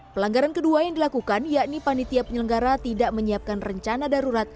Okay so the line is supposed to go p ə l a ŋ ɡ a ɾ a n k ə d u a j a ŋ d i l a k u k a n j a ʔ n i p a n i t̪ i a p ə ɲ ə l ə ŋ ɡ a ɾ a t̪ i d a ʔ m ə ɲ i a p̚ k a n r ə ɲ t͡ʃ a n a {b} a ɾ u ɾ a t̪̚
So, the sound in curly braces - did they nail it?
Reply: no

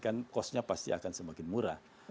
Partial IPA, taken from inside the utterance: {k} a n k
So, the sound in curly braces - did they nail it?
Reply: yes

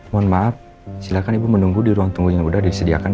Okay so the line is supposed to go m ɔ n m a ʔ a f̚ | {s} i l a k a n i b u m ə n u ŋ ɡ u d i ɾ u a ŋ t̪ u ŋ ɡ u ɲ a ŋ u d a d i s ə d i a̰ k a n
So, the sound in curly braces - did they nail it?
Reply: yes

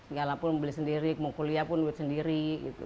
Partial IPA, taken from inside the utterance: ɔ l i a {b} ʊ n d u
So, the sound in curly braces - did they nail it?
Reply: no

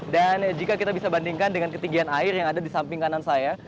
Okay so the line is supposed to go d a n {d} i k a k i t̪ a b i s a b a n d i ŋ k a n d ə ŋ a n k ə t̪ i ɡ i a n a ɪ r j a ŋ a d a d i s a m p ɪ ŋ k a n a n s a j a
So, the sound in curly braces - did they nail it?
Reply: no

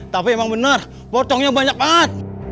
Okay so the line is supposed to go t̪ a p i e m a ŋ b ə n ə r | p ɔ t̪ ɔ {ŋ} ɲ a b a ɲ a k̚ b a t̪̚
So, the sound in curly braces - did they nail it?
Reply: yes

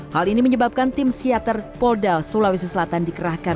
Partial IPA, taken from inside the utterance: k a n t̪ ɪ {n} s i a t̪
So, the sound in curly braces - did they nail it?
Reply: no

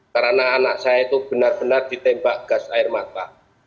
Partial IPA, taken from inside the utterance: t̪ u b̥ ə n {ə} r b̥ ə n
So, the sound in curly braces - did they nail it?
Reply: no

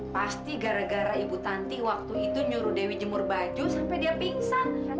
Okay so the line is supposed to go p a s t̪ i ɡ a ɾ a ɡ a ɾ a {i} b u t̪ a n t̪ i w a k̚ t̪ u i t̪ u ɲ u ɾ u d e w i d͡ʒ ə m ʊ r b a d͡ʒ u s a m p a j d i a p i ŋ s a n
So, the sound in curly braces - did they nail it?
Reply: yes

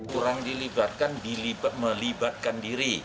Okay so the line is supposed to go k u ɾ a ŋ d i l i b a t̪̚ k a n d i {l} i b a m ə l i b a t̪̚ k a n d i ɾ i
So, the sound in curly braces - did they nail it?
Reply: yes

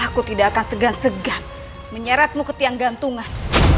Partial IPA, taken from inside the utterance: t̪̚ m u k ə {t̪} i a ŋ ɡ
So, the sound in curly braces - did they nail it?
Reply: yes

